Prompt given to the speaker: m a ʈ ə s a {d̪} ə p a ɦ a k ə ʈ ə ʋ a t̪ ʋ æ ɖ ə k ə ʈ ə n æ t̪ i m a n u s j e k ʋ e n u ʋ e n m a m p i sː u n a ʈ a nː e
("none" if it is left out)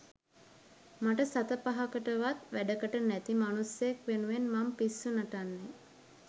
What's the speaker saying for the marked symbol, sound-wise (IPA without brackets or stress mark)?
t̪